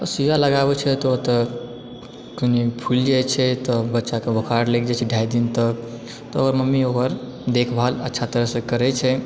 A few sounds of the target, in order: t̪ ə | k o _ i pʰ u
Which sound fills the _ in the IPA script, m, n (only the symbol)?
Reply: n